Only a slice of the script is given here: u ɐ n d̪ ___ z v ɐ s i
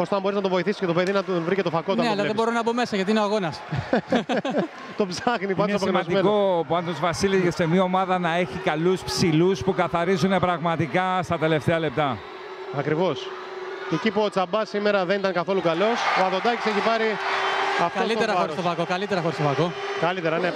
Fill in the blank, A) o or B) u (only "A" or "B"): A